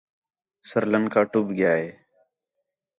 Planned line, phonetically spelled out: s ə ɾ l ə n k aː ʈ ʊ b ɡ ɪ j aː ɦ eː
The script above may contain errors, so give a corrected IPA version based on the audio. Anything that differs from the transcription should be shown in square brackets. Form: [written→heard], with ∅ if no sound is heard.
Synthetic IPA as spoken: s ə ɾ l ə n k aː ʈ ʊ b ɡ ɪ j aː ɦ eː